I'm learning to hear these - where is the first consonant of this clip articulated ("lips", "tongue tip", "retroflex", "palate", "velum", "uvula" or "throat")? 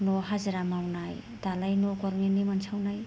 tongue tip